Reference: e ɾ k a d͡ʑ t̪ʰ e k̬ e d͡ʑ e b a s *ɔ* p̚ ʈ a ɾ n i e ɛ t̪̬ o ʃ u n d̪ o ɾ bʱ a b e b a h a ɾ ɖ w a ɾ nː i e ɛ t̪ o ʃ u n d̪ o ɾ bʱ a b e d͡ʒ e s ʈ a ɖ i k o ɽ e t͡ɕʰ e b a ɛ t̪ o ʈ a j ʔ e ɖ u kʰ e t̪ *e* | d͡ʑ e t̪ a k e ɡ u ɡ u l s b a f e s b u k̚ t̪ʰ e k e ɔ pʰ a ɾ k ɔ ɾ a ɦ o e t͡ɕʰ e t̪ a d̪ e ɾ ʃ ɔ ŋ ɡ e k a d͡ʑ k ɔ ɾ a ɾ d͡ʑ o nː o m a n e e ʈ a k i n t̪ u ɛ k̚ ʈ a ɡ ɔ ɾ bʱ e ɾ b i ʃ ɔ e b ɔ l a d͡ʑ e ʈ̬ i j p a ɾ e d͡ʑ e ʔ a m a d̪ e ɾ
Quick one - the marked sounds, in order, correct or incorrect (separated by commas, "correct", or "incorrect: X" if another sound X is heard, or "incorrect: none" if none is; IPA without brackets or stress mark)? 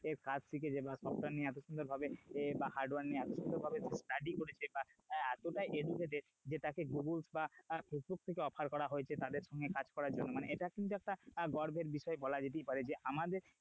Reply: correct, correct